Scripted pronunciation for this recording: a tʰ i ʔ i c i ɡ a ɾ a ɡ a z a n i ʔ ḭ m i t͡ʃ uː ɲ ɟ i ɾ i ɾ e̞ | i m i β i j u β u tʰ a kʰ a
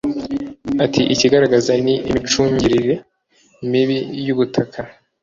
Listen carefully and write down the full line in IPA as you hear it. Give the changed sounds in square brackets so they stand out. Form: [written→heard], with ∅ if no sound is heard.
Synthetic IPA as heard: a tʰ i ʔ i c i ɡ a ɾ a ɡ a z a n i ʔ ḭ m i t͡ʃ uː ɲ ɟ i ɾ i ɾ e̞ | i m i β i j u β u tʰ a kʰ a